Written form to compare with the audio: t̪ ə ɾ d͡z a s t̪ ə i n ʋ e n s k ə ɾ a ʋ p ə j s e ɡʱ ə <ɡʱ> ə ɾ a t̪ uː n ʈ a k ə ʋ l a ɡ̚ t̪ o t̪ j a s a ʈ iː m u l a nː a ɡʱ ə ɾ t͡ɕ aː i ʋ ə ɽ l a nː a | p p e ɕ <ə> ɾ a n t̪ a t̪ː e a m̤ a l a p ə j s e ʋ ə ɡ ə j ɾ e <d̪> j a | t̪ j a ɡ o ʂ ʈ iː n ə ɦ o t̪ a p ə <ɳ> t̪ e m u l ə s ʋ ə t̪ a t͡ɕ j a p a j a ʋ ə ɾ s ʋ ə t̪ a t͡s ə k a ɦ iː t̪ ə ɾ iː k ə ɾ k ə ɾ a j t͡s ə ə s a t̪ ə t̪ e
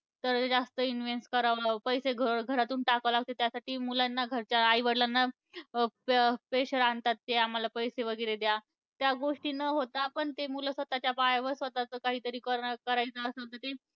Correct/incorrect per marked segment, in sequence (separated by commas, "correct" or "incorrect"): correct, correct, correct, correct